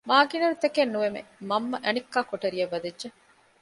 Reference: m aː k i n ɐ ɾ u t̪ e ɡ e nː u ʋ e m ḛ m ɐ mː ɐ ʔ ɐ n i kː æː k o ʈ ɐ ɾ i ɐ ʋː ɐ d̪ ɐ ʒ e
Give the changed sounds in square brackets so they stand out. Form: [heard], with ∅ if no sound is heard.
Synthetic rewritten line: m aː [ɡ] i n ɐ ɾ u t̪ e [k] e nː u ʋ e m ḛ m ɐ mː ɐ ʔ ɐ n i kː [aː] k o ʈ ɐ ɾ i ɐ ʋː ɐ d̪ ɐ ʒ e

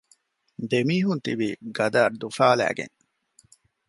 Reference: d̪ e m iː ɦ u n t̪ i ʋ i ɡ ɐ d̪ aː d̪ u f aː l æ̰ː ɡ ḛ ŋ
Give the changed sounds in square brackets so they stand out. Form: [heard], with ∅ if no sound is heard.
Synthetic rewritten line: d̪ e m iː ɦ u n t̪ i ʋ i ɡ ɐ d̪ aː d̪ u f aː l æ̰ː ɡ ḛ ŋ

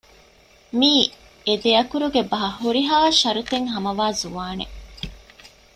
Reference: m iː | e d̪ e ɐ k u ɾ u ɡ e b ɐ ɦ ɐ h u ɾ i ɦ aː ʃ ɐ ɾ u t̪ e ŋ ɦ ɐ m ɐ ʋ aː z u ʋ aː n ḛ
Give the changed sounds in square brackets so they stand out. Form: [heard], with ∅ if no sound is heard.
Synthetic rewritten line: m iː | e d̪ e ɐ k u ɾ u ɡ e b ɐ ɦ ɐ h u ɾ i ɦ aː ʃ ɐ ɾ u t̪ e ŋ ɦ ɐ m ɐ ʋ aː z u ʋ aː n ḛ

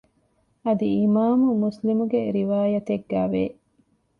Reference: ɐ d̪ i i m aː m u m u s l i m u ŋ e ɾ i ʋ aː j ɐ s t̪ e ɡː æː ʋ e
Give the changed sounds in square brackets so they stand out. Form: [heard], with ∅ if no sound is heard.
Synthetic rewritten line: ɐ d̪ i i m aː m u m u s l i m u [ɡ] e ɾ i ʋ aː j ɐ [∅] t̪ e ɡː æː ʋ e

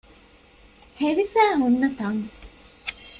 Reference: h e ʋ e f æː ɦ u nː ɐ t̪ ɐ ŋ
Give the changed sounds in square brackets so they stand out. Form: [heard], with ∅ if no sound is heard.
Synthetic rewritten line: h e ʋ [i] f æː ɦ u nː ɐ t̪ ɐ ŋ

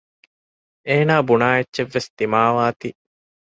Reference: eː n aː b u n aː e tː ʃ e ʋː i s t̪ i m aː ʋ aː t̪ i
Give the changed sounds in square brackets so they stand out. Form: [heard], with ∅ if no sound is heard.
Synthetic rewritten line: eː n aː b u n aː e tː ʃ e ʋː [e] s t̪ i m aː ʋ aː t̪ i

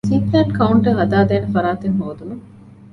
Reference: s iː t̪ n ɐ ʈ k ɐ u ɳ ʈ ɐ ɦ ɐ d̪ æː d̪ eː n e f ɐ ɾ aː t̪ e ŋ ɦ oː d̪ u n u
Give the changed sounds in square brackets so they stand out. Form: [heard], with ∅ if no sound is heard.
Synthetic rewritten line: s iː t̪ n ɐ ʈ k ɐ u ɳ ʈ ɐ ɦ ɐ d̪ [aː] d̪ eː n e f ɐ ɾ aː t̪ e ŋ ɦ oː d̪ u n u

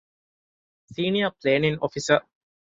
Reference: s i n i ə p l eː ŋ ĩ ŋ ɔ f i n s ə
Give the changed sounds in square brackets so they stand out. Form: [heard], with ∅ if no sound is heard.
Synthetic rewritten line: s [iː] n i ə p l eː [n] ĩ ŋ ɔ f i [∅] s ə

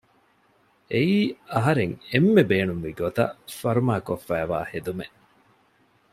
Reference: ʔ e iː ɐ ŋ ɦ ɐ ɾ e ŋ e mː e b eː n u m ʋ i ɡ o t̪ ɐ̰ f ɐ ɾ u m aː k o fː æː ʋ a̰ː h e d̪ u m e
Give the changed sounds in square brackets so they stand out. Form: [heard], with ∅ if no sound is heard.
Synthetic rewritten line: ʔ e iː ɐ [∅] ɦ ɐ ɾ e ŋ e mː e b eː n u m ʋ i ɡ o t̪ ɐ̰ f ɐ ɾ u m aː k o fː æː ʋ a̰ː h e d̪ u m e

